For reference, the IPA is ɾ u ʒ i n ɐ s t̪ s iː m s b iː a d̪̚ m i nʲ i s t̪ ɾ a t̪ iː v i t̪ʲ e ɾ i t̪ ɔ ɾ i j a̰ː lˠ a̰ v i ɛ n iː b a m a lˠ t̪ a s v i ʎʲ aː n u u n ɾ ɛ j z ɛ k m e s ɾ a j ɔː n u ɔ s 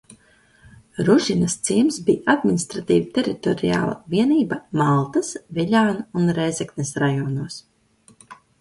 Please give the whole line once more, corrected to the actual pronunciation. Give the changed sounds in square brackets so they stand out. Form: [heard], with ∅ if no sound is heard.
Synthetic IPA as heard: ɾ u ʒ i n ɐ s t̪ s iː m s b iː a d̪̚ m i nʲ i s t̪ ɾ a t̪ iː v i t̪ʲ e ɾ i t̪ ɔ ɾ i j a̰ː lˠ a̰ v i ɛ n iː b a m a lˠ t̪ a s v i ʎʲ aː n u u n ɾ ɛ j z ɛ k [n] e s ɾ a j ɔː n u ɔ s